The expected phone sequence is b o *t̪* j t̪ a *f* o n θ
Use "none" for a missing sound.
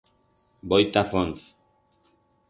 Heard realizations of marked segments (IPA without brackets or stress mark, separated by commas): none, f